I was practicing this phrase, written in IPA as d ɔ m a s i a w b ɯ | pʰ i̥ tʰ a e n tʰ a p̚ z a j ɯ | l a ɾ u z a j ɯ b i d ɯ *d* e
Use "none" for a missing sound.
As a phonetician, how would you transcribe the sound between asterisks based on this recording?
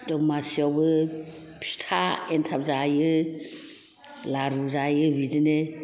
n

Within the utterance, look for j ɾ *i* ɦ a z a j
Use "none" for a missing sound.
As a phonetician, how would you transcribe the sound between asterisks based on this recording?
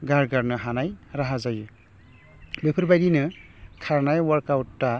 a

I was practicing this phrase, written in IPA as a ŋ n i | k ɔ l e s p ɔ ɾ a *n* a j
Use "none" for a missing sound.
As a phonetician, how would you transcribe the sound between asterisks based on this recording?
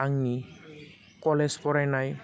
n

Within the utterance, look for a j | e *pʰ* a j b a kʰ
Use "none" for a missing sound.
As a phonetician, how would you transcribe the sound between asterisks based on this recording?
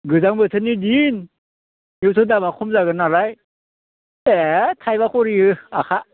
tʰ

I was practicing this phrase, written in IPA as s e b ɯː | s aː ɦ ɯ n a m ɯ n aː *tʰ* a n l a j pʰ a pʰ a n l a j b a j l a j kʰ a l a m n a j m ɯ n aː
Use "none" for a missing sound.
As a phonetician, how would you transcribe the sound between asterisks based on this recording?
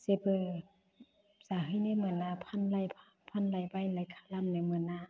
pʰ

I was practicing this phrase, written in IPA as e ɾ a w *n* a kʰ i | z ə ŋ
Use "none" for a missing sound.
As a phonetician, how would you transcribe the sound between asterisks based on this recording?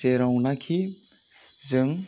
n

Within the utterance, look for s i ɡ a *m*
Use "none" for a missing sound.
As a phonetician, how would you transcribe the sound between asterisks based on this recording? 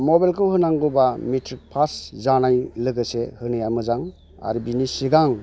ŋ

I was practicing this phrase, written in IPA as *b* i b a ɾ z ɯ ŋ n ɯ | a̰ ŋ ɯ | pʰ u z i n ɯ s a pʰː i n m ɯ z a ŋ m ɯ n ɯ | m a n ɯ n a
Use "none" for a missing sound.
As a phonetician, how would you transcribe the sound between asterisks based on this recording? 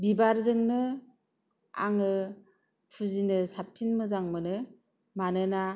b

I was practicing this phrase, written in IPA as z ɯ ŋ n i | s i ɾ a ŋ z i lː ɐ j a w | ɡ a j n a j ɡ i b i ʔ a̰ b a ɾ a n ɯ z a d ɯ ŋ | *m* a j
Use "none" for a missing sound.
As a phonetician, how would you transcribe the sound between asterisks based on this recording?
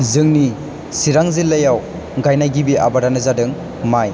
m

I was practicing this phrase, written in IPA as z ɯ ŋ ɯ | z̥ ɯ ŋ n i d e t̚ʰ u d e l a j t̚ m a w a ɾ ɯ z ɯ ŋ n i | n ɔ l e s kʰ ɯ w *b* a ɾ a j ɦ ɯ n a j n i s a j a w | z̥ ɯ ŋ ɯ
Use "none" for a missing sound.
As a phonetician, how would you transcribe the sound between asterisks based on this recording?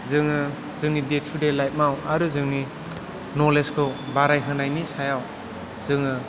b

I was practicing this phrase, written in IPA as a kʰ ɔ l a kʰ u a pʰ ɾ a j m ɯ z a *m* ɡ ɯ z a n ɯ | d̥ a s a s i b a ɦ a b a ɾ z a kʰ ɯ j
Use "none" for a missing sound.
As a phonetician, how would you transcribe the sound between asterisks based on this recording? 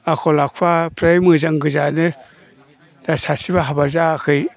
ŋ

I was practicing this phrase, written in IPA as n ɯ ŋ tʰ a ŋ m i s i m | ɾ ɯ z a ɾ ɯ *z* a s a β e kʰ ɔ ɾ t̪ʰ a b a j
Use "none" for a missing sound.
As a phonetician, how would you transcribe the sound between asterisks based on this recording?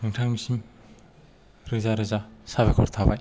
z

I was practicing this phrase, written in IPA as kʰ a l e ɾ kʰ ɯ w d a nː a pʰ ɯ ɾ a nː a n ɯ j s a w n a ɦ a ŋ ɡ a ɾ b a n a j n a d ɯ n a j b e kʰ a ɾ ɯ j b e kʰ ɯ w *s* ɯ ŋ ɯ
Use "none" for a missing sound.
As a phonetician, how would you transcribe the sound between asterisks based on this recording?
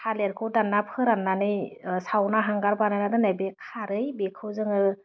z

